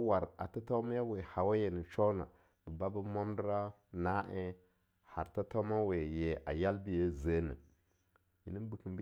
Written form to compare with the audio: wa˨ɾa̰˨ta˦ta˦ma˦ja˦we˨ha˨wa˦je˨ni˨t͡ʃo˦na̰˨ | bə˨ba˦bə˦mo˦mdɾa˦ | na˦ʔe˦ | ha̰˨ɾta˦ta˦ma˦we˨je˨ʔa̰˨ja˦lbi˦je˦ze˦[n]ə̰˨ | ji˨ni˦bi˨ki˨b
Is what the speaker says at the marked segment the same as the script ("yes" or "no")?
yes